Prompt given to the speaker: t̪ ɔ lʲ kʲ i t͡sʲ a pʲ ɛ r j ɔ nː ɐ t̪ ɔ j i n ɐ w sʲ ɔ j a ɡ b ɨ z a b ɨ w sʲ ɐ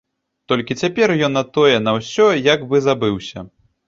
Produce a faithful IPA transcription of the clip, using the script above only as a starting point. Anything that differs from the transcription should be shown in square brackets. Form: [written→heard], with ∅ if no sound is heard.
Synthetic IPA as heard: t̪ ɔ lʲ kʲ i t͡sʲ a pʲ ɛ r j ɔ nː ɐ t̪ ɔ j [i→ɛ] n ɐ w sʲ ɔ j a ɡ b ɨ z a b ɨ w sʲ ɐ